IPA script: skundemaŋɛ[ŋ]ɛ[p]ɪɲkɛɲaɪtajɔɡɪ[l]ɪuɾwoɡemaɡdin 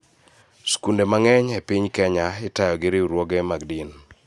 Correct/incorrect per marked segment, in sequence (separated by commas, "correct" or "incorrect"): incorrect, correct, incorrect